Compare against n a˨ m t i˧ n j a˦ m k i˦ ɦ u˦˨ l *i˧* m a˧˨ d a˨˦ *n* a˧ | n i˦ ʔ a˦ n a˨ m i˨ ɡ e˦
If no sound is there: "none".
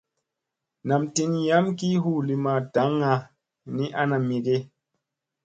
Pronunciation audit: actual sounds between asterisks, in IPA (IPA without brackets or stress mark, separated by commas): i˧, ŋ